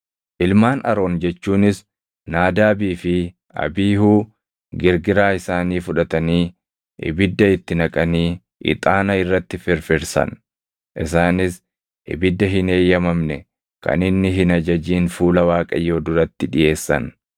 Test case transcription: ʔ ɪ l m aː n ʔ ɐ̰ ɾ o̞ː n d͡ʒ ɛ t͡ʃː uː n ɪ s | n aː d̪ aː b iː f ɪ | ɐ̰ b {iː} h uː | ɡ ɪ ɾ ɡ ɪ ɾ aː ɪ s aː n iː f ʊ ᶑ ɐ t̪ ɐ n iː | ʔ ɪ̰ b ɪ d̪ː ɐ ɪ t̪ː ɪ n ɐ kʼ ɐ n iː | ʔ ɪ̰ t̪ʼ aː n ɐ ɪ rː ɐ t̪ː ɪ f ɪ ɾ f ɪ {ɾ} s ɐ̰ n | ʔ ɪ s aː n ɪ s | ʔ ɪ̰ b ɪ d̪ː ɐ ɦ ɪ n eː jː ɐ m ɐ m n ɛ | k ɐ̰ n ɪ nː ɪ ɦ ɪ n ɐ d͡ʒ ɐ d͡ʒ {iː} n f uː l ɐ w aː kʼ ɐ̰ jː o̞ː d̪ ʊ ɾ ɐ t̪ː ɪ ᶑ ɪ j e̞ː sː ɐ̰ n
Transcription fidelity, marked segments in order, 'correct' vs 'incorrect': correct, correct, correct

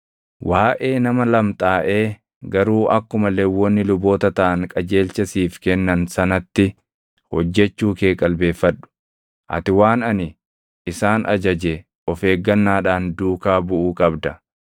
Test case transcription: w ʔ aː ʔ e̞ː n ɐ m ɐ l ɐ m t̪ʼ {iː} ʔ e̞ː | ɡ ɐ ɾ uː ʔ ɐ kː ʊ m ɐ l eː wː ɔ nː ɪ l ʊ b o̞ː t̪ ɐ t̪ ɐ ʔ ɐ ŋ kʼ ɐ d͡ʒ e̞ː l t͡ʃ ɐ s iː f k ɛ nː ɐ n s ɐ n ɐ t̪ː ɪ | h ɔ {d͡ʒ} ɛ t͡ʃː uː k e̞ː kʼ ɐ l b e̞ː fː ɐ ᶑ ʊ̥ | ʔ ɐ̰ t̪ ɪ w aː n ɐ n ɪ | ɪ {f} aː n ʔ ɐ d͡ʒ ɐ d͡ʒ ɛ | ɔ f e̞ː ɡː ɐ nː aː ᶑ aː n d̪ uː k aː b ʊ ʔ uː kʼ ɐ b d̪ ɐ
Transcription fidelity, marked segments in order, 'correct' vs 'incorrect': incorrect: aː, incorrect: d͡ʒː, incorrect: s

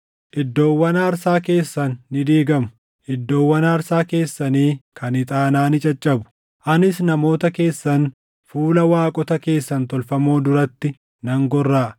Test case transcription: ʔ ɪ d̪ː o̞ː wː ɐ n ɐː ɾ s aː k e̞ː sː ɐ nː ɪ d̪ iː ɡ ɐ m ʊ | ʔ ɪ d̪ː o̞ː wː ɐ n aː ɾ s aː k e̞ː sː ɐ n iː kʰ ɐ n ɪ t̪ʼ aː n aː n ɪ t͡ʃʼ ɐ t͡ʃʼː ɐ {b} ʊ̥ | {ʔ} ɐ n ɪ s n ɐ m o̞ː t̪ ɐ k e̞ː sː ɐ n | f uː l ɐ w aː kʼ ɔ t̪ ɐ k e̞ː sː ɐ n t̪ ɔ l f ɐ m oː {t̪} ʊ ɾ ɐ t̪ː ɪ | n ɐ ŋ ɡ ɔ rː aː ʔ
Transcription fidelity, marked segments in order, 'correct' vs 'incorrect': correct, correct, incorrect: d̪

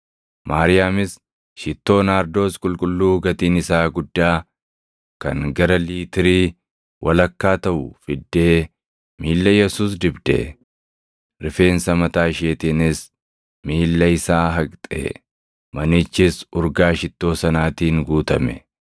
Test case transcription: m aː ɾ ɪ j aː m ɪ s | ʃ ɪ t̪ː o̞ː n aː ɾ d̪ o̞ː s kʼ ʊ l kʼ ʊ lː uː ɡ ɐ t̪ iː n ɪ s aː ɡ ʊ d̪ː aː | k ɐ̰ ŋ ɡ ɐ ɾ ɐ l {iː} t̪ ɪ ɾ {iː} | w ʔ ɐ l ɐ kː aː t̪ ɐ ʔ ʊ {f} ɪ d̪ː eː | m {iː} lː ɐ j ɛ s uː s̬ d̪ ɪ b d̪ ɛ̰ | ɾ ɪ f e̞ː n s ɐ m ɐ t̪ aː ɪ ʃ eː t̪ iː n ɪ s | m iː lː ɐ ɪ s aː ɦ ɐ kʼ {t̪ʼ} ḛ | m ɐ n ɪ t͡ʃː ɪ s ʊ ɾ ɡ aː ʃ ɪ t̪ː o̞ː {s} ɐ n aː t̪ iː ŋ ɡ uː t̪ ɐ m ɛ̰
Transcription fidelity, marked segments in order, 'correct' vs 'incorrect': correct, correct, correct, correct, correct, correct

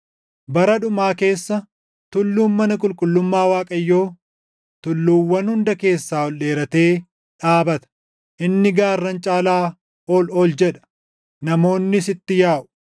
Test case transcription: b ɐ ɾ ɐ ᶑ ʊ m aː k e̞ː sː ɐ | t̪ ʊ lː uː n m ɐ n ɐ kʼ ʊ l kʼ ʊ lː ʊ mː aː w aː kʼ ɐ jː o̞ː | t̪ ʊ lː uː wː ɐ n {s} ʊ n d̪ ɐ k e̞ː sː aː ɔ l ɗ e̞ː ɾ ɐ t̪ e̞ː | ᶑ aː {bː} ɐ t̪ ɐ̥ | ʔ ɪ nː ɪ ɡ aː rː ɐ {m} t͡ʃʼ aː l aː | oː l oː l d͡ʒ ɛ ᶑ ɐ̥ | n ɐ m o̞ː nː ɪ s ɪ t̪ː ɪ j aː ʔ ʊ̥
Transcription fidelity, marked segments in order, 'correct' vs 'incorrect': incorrect: h, incorrect: b, incorrect: n

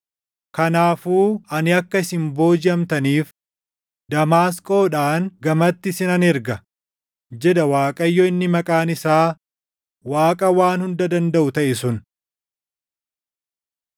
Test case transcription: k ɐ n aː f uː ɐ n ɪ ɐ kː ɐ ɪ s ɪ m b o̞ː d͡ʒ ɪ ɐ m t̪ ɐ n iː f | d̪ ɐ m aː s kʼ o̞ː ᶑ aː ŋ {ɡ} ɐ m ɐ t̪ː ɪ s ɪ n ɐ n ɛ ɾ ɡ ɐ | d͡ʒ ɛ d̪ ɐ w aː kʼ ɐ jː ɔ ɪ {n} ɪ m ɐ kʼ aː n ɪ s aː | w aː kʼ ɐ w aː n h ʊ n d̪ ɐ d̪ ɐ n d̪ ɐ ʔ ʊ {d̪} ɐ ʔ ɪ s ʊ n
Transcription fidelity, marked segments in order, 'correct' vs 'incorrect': correct, incorrect: nː, incorrect: t̪

